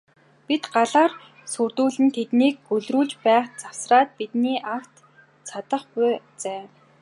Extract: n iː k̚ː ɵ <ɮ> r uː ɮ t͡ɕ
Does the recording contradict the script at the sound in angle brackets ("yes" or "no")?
no